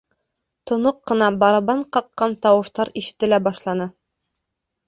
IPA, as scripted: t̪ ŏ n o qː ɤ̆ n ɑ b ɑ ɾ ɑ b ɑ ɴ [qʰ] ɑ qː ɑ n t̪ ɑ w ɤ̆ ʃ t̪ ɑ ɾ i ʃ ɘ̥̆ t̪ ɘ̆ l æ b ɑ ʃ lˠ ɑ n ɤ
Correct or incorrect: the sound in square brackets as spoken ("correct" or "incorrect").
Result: incorrect